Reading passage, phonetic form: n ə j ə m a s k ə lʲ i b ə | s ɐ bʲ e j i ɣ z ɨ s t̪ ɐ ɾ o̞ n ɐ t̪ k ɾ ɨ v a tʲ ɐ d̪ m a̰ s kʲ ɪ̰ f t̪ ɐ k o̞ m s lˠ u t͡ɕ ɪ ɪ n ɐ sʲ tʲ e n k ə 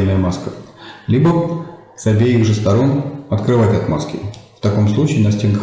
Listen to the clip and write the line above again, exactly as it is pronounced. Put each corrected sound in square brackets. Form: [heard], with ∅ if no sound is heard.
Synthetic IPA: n ə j ə m a s k ə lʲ i b ə | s ɐ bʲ e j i ɣ [ʐ] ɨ s t̪ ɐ ɾ o̞ n ɐ t̪ k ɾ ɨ v a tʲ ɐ [t̪] m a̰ s kʲ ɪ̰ f t̪ ɐ k o̞ m s lˠ u t͡ɕ ɪ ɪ n ɐ sʲ tʲ e n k ə